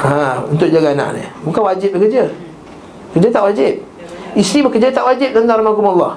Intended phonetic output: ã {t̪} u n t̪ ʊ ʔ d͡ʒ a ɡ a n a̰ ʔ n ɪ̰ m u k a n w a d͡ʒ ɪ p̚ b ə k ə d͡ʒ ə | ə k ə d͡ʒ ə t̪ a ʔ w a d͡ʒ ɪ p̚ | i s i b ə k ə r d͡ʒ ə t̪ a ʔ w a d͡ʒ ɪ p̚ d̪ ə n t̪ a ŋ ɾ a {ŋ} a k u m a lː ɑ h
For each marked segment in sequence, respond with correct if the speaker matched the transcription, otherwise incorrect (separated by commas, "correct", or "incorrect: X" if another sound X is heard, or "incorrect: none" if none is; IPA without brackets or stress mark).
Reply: incorrect: none, incorrect: m